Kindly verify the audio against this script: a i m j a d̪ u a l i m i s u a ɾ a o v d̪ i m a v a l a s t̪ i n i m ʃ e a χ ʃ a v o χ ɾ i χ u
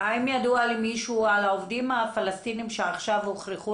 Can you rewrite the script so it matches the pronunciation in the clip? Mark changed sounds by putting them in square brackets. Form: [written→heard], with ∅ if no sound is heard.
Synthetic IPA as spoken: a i m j a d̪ u a l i m i [s→ʃ] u a [ɾ→l] a o v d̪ i m a [v→f] a l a s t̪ i n i m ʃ e a χ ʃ a v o χ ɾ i χ u